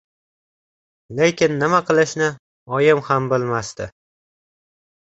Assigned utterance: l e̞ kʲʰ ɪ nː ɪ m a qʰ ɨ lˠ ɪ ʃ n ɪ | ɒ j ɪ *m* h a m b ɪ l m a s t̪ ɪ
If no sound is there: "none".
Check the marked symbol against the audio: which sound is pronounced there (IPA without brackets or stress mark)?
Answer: m